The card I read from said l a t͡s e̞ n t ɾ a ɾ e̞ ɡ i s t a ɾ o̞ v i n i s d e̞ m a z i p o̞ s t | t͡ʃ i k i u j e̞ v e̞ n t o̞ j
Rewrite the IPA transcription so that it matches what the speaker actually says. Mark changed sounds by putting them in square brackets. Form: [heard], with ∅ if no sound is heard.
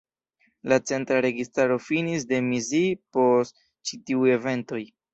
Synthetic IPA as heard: l a t͡s e̞ n t ɾ a ɾ e̞ ɡ i s t a ɾ o̞ [f] i n i s d e̞ m [i] z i p o̞ s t | t͡ʃ i [t] i u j e̞ v e̞ n t o̞ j